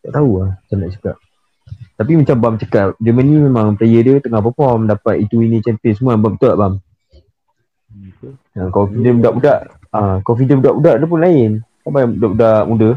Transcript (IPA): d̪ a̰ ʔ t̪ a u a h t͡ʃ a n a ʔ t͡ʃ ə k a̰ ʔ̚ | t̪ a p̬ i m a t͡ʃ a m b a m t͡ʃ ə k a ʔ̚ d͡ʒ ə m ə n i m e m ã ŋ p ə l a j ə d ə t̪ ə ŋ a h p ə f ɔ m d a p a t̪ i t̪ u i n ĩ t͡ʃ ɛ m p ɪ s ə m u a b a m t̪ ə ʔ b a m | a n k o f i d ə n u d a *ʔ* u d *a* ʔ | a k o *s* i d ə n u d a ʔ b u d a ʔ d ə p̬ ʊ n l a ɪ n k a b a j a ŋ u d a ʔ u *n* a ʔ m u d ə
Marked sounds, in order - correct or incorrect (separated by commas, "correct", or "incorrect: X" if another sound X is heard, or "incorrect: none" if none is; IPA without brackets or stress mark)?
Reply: correct, correct, incorrect: f, incorrect: d